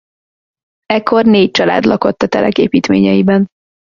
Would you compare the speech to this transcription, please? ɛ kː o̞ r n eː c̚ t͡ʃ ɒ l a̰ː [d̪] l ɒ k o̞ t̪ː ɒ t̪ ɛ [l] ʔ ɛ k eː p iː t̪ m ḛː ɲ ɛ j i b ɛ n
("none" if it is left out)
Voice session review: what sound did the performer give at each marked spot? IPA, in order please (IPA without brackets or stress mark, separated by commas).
d̪, l